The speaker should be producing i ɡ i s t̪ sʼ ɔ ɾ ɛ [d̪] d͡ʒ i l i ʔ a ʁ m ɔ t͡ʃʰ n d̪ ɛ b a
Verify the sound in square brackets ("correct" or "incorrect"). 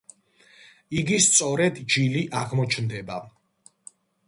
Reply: correct